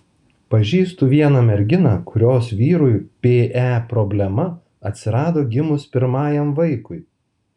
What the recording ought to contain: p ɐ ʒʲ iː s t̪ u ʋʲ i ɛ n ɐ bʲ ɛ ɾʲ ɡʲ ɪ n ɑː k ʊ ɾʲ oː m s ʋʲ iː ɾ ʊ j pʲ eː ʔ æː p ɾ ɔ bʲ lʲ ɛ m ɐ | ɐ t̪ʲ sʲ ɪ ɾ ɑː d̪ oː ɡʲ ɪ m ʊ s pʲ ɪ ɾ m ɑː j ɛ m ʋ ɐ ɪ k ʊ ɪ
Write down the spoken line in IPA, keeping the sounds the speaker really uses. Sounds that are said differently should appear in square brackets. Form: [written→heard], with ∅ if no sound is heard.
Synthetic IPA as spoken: p ɐ ʒʲ iː s t̪ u ʋʲ i ɛ n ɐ [bʲ→mʲ] ɛ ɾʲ ɡʲ ɪ n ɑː k ʊ ɾʲ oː [m→∅] s ʋʲ iː ɾ ʊ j pʲ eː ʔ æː p ɾ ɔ bʲ lʲ ɛ m ɐ | ɐ t̪ʲ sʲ ɪ ɾ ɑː d̪ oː ɡʲ ɪ m ʊ s pʲ ɪ ɾ m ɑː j ɛ m ʋ ɐ ɪ k ʊ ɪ

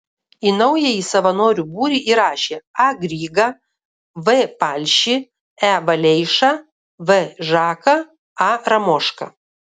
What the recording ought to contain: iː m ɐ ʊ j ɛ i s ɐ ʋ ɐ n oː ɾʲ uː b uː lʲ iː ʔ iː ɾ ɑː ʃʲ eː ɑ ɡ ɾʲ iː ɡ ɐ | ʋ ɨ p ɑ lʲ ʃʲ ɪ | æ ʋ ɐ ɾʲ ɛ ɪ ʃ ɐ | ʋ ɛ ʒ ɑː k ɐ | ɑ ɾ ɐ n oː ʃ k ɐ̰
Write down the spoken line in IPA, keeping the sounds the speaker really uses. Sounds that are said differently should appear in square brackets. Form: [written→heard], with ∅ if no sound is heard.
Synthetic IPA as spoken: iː [m→n] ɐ ʊ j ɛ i s ɐ ʋ ɐ n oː ɾʲ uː b uː [lʲ→ɾʲ] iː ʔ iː ɾ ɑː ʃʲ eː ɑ ɡ ɾʲ iː ɡ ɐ | ʋ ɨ p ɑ lʲ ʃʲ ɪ | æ ʋ ɐ [ɾʲ→lʲ] ɛ ɪ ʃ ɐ | ʋ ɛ ʒ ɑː k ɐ | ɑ ɾ ɐ [n→m] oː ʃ k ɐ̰

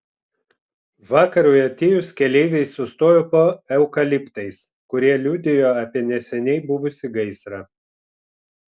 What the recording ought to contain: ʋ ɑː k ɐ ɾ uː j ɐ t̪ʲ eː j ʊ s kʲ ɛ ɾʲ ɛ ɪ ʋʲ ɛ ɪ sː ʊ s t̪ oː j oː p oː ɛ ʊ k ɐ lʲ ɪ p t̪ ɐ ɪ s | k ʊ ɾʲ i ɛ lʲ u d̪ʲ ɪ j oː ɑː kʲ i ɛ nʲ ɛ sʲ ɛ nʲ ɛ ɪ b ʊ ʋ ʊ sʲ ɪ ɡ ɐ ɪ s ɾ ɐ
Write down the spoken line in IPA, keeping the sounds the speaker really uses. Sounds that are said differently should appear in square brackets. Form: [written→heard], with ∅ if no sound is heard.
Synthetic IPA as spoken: ʋ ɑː k ɐ ɾ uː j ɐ t̪ʲ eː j ʊ s kʲ ɛ [ɾʲ→lʲ] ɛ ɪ ʋʲ ɛ ɪ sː ʊ s t̪ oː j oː p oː ɛ ʊ k ɐ lʲ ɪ p t̪ ɐ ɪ s | k ʊ ɾʲ i ɛ lʲ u d̪ʲ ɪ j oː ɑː [kʲ→pʲ] i ɛ nʲ ɛ sʲ ɛ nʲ ɛ ɪ b ʊ ʋ ʊ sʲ ɪ ɡ ɐ ɪ s ɾ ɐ

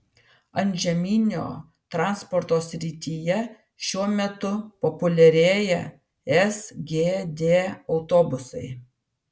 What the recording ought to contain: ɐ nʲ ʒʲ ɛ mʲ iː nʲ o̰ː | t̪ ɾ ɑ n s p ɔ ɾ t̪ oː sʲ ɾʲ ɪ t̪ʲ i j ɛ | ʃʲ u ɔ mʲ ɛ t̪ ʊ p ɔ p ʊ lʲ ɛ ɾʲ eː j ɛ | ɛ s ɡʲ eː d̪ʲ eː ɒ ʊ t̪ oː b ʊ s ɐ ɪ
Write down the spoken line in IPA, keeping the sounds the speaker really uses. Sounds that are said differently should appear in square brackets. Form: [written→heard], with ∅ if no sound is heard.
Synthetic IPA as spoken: ɐ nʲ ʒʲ ɛ mʲ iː nʲ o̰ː | t̪ ɾ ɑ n s p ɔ ɾ t̪ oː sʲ ɾʲ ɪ t̪ʲ i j ɛ | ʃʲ u ɔ mʲ ɛ t̪ ʊ p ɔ p ʊ lʲ ɛ ɾʲ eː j ɛ | ɛ s ɡʲ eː d̪ʲ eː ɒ ʊ t̪ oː b ʊ s ɐ ɪ

